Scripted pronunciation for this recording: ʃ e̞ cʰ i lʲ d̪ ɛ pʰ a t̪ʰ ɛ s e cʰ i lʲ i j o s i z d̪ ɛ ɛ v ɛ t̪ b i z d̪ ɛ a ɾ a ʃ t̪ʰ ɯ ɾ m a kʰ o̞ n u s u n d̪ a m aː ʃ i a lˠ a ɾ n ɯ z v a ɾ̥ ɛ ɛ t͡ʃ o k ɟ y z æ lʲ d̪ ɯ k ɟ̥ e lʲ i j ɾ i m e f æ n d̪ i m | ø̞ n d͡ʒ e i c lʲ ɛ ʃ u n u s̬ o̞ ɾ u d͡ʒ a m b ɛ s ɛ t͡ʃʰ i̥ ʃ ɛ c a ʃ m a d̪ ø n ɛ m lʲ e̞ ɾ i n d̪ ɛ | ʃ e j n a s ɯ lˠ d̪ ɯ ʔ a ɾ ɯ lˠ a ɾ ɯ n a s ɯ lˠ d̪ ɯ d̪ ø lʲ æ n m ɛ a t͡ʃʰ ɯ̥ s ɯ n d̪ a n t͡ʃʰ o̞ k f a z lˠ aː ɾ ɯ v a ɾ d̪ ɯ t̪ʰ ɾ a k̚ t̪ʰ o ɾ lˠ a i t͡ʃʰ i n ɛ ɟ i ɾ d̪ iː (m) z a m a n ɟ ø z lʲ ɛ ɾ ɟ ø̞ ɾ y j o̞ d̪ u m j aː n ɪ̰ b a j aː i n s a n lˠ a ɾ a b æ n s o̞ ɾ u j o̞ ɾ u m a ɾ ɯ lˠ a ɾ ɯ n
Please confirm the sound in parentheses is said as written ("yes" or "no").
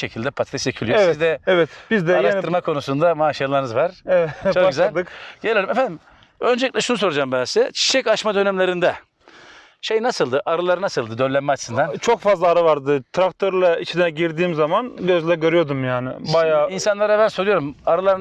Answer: yes